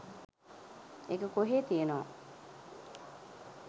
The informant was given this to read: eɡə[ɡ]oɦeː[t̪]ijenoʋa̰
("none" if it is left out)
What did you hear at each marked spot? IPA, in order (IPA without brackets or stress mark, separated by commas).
k, t̪